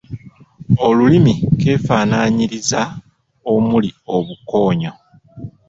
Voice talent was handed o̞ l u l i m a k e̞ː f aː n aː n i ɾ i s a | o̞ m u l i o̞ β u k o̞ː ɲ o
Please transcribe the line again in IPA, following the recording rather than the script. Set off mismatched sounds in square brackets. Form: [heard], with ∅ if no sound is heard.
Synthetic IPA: o̞ l u l i m [i] k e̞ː f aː n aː [ɲ] i ɾ i [z] a | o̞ m u l i o̞ β u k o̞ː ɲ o